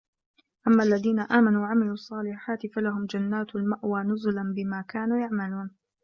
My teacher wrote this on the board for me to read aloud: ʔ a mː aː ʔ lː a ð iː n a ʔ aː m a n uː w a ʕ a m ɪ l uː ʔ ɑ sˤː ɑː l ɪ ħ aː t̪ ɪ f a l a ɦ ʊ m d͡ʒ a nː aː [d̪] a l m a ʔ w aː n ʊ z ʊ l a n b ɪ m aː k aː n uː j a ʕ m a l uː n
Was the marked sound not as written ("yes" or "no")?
yes